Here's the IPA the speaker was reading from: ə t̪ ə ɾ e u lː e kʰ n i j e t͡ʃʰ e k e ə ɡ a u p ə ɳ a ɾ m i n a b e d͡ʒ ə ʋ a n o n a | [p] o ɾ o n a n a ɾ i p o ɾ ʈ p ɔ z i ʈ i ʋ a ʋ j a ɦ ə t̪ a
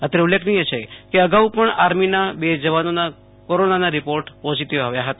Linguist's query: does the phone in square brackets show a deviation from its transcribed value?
yes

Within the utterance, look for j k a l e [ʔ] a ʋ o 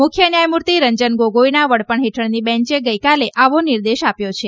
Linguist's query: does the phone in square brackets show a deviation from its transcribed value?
no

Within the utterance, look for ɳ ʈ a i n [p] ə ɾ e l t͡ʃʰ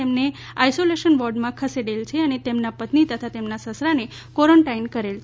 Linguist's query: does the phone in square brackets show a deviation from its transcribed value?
yes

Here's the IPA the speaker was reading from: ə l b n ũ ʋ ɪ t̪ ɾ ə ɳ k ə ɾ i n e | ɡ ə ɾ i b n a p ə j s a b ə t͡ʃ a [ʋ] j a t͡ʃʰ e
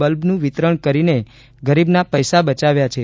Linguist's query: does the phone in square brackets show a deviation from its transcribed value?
no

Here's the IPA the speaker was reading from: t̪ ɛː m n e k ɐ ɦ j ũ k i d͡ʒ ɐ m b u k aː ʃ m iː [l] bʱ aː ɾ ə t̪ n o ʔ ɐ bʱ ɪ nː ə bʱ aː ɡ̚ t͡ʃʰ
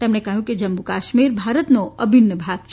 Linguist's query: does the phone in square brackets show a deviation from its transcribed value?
yes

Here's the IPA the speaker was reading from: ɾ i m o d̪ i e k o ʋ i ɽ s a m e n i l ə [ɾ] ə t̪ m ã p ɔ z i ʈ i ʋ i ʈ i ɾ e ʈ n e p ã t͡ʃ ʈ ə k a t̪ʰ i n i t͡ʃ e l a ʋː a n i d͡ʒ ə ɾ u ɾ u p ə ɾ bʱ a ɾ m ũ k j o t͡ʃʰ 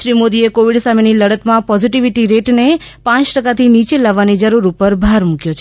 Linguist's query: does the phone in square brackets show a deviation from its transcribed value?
yes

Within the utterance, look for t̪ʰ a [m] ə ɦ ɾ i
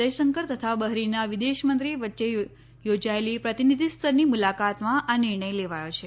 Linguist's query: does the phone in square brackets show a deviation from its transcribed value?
yes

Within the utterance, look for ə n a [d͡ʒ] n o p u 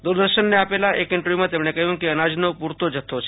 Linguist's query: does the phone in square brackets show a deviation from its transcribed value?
no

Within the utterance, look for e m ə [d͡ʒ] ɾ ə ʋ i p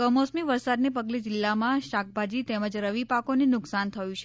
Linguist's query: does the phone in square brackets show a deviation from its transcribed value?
no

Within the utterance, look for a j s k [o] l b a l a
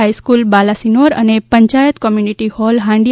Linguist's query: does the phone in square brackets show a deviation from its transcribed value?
yes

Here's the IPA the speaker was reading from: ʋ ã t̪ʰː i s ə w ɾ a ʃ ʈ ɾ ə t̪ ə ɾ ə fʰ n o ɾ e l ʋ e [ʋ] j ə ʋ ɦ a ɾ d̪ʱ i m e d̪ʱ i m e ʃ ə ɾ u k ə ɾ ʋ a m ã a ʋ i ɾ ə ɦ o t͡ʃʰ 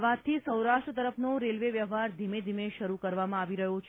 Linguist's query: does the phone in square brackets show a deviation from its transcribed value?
no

